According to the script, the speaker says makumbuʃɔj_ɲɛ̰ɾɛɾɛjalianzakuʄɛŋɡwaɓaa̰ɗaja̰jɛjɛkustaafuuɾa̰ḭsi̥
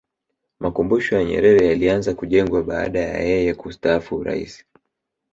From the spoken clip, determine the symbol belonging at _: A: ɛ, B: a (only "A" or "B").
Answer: B